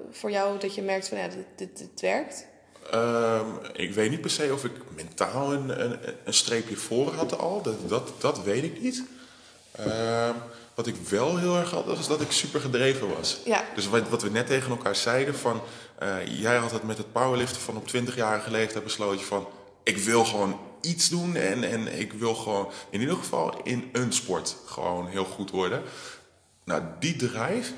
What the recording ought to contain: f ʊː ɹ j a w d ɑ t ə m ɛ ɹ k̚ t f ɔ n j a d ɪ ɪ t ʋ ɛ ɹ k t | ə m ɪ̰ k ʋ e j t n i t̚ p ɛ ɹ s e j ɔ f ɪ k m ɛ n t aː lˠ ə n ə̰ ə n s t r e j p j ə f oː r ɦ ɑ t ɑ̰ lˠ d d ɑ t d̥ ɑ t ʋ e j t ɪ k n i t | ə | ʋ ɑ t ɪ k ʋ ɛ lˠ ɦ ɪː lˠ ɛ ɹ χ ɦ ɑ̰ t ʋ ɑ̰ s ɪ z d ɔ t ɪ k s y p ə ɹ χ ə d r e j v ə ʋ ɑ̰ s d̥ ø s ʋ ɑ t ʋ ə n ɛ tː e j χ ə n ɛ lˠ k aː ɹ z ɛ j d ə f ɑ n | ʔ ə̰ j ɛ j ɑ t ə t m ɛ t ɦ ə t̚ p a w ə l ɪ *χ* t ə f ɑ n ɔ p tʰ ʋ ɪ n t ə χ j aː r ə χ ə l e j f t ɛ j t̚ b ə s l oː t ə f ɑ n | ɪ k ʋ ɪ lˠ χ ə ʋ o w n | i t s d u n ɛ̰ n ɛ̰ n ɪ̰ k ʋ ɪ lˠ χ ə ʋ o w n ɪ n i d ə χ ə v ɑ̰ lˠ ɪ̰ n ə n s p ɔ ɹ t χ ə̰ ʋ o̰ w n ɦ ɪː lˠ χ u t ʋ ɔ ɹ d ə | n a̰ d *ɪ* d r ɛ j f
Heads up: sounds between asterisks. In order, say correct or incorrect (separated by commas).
incorrect, incorrect